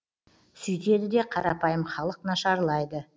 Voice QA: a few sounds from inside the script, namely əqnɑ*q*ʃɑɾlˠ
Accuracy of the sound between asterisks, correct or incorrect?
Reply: incorrect